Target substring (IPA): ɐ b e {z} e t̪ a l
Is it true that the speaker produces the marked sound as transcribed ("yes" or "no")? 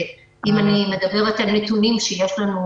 no